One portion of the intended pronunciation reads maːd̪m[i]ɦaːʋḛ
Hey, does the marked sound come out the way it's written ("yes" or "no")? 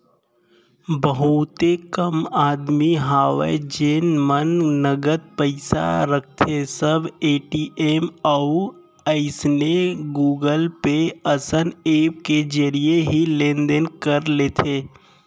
yes